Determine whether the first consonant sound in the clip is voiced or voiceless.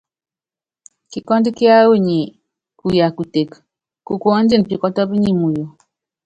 voiceless